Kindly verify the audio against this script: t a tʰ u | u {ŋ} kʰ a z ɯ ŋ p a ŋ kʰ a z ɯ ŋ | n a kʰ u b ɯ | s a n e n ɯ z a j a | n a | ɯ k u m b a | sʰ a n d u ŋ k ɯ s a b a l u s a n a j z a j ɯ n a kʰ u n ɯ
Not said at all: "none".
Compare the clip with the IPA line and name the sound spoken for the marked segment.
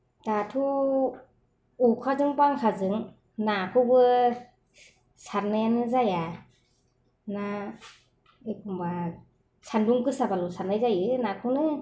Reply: none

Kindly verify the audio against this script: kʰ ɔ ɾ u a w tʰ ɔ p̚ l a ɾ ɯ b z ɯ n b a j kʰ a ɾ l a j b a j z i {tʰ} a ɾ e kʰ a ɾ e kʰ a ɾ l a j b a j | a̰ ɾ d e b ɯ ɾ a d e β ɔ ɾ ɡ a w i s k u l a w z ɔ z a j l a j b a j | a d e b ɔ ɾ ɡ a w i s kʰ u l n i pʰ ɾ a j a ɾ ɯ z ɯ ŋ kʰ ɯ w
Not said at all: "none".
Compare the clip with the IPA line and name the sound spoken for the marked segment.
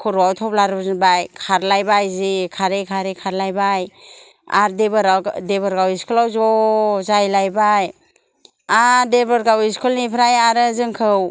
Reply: kʰ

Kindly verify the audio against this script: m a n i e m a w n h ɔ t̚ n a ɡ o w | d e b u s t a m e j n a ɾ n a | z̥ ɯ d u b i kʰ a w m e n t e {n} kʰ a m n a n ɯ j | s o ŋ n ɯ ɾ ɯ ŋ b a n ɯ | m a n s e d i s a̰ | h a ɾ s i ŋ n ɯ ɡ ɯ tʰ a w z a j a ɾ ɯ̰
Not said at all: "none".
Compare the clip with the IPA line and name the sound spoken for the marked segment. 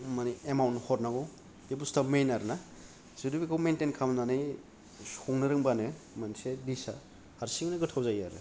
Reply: n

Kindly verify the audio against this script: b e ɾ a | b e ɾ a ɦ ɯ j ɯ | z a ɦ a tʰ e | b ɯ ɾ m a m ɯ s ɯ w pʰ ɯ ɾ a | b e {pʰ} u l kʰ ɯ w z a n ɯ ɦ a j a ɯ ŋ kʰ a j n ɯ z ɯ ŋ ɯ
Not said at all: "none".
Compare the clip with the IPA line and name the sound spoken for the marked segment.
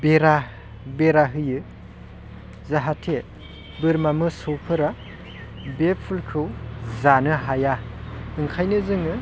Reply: pʰ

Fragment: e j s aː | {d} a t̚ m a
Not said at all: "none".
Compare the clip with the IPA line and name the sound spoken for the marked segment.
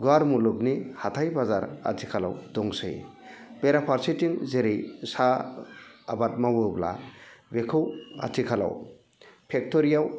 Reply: b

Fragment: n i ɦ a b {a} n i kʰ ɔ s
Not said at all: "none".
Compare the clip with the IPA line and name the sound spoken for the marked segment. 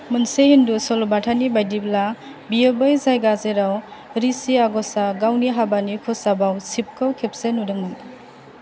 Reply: a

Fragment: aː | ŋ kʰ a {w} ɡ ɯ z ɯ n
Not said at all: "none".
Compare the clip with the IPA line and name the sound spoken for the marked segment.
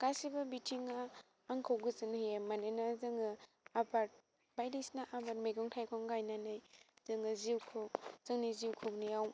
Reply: w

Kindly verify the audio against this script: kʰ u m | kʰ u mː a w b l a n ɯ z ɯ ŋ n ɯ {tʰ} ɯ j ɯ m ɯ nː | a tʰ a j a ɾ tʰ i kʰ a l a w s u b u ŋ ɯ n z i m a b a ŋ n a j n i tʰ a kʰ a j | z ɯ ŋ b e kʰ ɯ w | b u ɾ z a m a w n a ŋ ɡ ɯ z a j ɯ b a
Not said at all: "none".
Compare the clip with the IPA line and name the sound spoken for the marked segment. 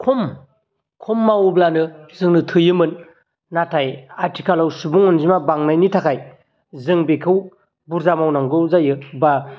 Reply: tʰ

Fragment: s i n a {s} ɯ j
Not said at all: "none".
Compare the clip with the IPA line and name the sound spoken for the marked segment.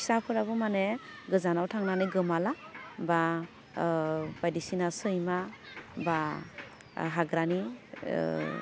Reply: s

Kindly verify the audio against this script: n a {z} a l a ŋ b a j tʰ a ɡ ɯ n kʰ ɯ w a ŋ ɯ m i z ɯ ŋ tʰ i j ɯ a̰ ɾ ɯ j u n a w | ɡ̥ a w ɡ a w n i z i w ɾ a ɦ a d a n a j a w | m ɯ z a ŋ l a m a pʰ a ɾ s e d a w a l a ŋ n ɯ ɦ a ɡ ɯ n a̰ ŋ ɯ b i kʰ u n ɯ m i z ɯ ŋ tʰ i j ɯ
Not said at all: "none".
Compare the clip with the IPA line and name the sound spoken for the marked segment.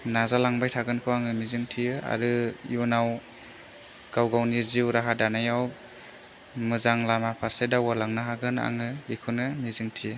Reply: z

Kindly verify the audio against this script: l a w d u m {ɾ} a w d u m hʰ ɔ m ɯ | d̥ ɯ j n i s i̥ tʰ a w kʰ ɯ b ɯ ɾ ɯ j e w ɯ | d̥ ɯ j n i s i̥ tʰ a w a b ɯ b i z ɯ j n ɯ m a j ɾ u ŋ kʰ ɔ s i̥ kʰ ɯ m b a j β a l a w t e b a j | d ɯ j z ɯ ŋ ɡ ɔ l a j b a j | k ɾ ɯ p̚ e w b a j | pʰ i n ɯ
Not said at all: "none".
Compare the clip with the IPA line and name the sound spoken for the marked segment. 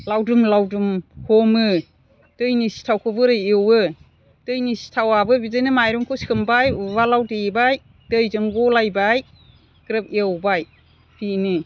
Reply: l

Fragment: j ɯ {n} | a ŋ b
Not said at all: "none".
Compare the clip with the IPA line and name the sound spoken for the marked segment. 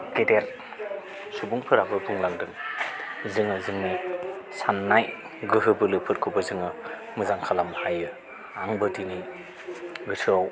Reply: none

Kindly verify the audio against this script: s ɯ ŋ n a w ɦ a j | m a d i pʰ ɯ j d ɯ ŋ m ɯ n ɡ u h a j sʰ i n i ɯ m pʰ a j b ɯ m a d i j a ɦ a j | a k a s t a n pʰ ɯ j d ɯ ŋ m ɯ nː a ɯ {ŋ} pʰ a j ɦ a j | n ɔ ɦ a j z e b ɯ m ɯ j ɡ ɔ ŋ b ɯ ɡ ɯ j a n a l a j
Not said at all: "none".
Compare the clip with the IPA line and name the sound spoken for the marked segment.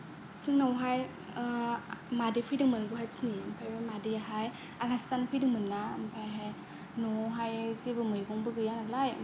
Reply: m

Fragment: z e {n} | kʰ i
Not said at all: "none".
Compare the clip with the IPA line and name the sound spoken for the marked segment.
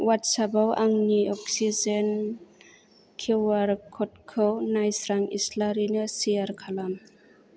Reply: n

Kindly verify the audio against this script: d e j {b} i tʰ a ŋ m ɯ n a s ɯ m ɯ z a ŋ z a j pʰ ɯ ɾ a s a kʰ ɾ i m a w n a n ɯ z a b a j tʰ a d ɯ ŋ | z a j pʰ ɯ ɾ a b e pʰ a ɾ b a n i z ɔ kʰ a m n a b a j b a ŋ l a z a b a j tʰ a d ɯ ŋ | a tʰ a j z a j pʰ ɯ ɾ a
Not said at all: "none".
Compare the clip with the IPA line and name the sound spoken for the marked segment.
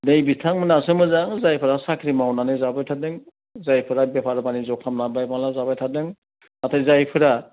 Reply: b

